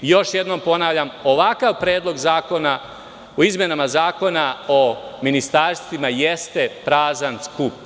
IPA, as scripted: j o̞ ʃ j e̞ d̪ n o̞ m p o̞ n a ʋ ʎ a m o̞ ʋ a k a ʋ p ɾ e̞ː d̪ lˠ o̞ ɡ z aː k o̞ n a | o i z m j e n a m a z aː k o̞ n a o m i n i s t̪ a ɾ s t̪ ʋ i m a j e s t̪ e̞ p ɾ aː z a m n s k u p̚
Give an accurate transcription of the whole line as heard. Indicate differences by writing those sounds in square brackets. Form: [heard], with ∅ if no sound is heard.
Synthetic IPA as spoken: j o̞ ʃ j e̞ d̪ n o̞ m p o̞ n a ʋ ʎ a m o̞ ʋ a k a ʋ p ɾ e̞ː d̪ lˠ o̞ ɡ z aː k o̞ n a | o i z m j e n a m a z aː k o̞ n a o m i n i s t̪ a ɾ s t̪ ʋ i m a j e s t̪ e̞ p ɾ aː z a [∅] n s k u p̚